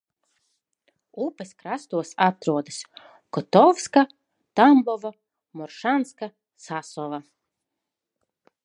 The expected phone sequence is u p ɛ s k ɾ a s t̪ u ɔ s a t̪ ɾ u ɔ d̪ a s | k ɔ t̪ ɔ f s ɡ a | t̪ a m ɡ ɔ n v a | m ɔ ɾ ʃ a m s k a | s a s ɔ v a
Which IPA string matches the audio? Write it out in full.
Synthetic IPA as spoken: u p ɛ s k ɾ a s t̪ u ɔ s a t̪ ɾ u ɔ d̪ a s | k ɔ t̪ ɔ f s k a | t̪ a m b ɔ v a | m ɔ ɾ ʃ a n s k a | s a s ɔ v a